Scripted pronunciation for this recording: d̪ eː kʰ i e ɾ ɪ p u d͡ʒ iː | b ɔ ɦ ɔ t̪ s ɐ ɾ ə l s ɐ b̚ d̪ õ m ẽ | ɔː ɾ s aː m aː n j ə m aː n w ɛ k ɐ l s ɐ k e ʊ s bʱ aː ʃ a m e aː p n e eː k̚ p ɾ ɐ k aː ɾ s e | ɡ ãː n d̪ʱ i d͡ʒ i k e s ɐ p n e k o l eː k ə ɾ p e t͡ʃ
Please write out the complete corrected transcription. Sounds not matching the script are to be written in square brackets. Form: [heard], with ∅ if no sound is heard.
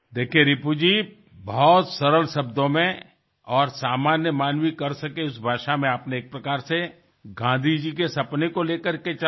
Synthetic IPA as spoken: d̪ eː kʰ i e ɾ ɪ p u d͡ʒ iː | b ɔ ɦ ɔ t̪ s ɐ ɾ ə l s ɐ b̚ d̪ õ m ẽ | ɔː ɾ s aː m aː n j ə m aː n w [i] k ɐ [ɾ] s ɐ k e ʊ s bʱ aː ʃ a m [ẽ] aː p n e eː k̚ p ɾ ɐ k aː ɾ s e | ɡ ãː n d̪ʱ i d͡ʒ i k e s ɐ p n e k o l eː k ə ɾ [k] e t͡ʃ

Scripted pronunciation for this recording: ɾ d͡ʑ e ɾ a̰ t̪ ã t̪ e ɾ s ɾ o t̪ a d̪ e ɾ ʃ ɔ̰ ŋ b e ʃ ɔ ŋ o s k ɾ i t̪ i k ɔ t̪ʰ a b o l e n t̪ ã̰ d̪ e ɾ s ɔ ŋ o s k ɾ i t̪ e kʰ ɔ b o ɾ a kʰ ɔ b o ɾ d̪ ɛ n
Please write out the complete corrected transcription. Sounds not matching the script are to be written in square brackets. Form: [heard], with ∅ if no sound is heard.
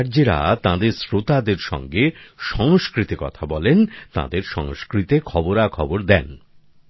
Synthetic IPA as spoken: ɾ d͡ʑ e ɾ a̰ t̪ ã [d̪] e ɾ s ɾ o t̪ a d̪ e ɾ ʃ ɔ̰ ŋ [ɡ] e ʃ ɔ ŋ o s k ɾ i t̪ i k ɔ t̪ʰ a b [ɔ] l e n t̪ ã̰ d̪ e ɾ [ʃ] ɔ ŋ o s k ɾ i t̪ e kʰ ɔ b o ɾ a kʰ ɔ b o ɾ d̪ ɛ n

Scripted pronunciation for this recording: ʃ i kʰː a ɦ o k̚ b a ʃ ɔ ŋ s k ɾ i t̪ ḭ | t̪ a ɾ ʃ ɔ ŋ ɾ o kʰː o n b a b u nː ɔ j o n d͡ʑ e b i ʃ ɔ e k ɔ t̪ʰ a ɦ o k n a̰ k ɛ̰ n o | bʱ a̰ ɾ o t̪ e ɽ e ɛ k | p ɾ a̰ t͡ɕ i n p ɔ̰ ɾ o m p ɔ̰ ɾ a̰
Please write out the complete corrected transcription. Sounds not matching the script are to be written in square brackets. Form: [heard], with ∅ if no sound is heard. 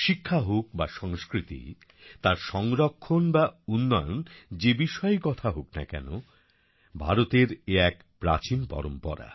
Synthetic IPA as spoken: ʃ i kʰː a ɦ o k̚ b a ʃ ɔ ŋ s k ɾ i t̪ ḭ | t̪ a ɾ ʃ ɔ ŋ ɾ o kʰː o n b a [∅] u nː ɔ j o n d͡ʑ e b i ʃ ɔ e k ɔ t̪ʰ a ɦ o k n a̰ k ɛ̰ n o | bʱ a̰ ɾ o t̪ e [ɾ] e ɛ k | p ɾ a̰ t͡ɕ i n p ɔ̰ ɾ o m p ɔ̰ ɾ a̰

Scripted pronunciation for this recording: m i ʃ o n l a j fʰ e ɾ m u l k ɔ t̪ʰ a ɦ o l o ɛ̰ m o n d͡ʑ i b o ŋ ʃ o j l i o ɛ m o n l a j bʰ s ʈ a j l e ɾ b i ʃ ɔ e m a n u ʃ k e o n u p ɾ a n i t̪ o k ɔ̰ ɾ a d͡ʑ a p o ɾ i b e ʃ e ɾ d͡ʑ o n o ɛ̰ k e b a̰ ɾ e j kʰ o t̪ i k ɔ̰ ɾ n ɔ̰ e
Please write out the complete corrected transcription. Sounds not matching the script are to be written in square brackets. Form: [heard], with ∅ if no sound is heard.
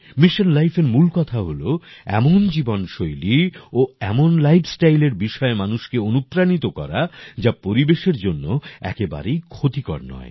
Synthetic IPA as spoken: m i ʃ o n l a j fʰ e ɾ m u l k ɔ t̪ʰ a ɦ o l o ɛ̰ m o n d͡ʑ i b o [n] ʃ o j l i o ɛ m o n l a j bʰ s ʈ a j l e ɾ b i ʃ ɔ e m a n u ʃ k e o n u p ɾ a n i t̪ o k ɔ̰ ɾ a d͡ʑ a p o ɾ i b e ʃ e ɾ d͡ʑ o [nː] o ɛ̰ k e b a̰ ɾ e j kʰ o t̪ i k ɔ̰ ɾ n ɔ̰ e

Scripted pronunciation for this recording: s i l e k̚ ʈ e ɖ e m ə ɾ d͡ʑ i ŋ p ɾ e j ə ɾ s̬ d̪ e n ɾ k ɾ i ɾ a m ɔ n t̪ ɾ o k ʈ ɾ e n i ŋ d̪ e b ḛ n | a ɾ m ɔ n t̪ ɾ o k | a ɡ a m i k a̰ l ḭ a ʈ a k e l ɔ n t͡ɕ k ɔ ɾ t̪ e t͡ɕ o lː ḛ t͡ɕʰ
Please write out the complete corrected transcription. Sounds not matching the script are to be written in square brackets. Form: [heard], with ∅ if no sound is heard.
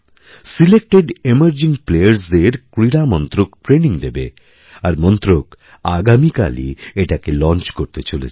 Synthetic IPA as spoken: s i l e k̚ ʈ e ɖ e m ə ɾ d͡ʑ i ŋ p [l] e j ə ɾ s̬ d̪ e [∅] ɾ k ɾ i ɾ a m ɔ n t̪ ɾ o k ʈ ɾ e n i ŋ d̪ e b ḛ [∅] | a ɾ m ɔ n t̪ ɾ o k | a ɡ a m i k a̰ l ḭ [e] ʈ a k e l ɔ n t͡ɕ k [o] ɾ t̪ e t͡ɕ o [l] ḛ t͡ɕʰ

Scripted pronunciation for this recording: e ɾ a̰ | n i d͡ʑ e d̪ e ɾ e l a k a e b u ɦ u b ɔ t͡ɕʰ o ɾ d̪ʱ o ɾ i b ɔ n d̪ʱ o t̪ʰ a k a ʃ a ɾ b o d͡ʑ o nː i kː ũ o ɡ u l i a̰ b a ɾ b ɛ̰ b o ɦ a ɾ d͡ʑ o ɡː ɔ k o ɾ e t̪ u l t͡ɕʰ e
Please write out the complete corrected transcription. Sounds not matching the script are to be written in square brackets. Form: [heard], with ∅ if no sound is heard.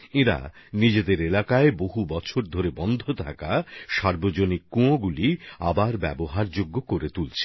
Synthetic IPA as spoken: e ɾ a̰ | n i d͡ʑ e d̪ e ɾ e l a k a e b [o] ɦ u b ɔ t͡ɕʰ o ɾ d̪ʱ o ɾ [e] b ɔ n d̪ʱ o t̪ʰ a k a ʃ a ɾ b o d͡ʑ o [n] i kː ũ o ɡ u l i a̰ b a ɾ b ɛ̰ b o ɦ a ɾ d͡ʑ o ɡː [o] k o ɾ e t̪ u l t͡ɕʰ e

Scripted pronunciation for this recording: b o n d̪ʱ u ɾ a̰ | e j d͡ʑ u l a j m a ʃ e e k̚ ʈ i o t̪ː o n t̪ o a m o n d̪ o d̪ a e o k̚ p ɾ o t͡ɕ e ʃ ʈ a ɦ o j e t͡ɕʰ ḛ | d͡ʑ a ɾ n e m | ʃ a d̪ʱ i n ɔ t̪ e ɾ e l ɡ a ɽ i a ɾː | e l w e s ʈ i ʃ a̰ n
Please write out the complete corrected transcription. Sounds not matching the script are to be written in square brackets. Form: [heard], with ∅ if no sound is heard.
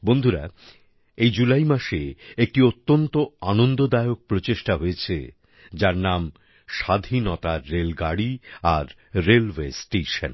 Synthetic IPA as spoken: b o n d̪ʱ u ɾ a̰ | e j d͡ʑ u l a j m a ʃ e e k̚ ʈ i o t̪ː o n t̪ o a [n] o n d̪ o d̪ a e o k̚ p ɾ o t͡ɕ e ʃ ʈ a ɦ o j e t͡ɕʰ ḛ | d͡ʑ a ɾ n [a] m | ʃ a d̪ʱ i n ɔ t̪ [a] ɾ e l ɡ a ɽ i a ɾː | e l w e s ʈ [e] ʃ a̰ n

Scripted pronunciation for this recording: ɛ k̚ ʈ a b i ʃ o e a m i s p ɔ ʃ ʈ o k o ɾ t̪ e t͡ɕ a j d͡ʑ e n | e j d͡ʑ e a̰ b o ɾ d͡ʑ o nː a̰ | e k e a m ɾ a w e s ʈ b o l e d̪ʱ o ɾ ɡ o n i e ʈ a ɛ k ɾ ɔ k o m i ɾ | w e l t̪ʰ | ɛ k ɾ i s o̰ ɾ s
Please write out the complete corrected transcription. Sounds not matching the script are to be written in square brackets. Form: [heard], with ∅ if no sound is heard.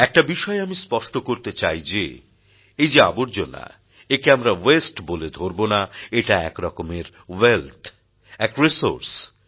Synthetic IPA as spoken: ɛ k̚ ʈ a b i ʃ [ɔ] e a m i s p ɔ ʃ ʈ o k o ɾ t̪ e t͡ɕ a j d͡ʑ e [∅] | e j d͡ʑ e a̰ b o ɾ d͡ʑ o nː a̰ | e k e a m ɾ a w e s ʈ b o l e d̪ʱ o ɾ [b] o n [a] e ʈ a ɛ k ɾ ɔ k o m [e] ɾ | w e l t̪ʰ | ɛ k ɾ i s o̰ ɾ s

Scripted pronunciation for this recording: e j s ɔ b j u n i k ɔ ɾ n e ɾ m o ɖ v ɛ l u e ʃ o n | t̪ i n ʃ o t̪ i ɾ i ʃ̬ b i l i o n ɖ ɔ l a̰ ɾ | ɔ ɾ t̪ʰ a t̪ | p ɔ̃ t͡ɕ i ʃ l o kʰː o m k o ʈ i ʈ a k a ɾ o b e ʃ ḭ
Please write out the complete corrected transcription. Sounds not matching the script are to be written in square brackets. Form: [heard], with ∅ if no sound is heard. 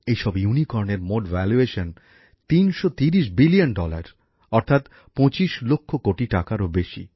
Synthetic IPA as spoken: e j [ʃ] ɔ b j u n i k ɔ ɾ n e ɾ m o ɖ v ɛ l u e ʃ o n | t̪ i n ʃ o t̪ i ɾ i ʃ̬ b i l i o n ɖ ɔ l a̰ ɾ | ɔ ɾ t̪ʰ a t̪ | p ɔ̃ t͡ɕ i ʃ l o kʰː o [∅] k o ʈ i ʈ a k a ɾ o b e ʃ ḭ

